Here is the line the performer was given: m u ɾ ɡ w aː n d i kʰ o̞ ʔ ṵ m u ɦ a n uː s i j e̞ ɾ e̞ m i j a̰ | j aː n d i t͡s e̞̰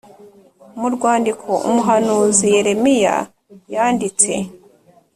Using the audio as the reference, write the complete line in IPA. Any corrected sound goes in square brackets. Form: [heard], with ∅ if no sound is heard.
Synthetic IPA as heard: m u ɾ ɡ w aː n d i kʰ o̞ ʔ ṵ m u ɦ a n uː [z] i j e̞ ɾ e̞ m i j a̰ | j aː n d i t͡s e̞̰